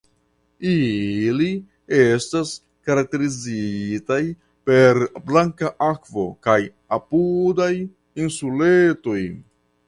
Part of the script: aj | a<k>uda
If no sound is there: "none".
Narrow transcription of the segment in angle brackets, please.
p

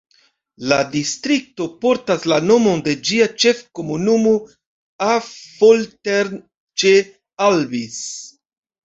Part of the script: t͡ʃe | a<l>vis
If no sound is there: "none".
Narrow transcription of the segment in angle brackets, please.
l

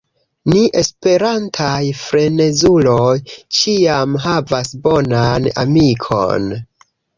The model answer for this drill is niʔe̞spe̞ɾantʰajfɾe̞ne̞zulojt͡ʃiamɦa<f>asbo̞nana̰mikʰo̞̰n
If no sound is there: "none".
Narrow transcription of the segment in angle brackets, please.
v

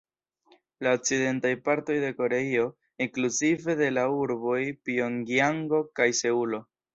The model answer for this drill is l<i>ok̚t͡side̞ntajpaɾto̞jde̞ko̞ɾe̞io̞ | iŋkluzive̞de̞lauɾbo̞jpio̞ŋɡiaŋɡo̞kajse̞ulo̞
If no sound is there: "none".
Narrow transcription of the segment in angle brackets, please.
a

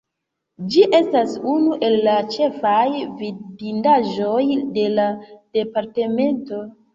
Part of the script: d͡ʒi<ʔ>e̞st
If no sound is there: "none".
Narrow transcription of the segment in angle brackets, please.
ʔ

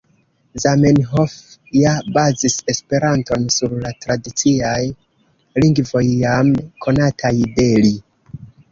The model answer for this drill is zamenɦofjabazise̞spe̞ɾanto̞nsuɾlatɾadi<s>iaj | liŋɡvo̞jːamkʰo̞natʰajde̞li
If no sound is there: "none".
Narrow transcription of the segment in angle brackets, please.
t͡s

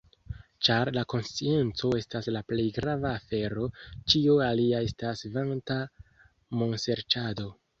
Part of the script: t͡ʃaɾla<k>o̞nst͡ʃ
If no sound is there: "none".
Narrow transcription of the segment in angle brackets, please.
k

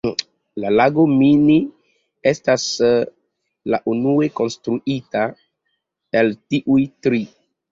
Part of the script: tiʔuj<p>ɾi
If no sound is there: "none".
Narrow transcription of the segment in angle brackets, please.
t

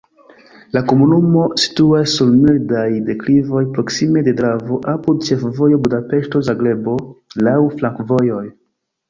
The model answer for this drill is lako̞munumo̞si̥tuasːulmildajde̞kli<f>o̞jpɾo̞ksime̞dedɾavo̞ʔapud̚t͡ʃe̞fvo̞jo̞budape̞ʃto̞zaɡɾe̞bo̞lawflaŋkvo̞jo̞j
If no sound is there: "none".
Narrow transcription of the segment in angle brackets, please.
v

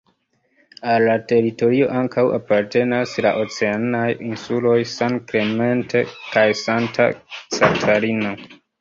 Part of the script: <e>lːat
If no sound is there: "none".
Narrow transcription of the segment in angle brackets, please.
a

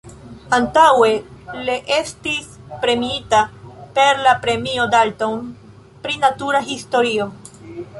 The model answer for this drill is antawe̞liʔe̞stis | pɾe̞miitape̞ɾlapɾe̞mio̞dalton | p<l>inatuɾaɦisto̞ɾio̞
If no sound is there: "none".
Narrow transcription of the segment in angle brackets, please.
ɾ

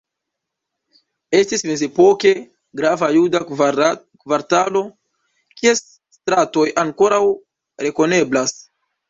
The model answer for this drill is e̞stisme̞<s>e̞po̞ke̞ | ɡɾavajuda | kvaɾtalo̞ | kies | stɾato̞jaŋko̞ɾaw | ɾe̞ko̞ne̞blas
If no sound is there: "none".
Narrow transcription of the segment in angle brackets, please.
z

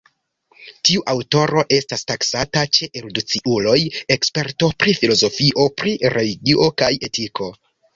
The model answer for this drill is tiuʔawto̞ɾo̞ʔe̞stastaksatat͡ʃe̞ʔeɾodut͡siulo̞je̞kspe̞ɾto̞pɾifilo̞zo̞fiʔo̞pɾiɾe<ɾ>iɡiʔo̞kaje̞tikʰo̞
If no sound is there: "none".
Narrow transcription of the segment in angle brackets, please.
l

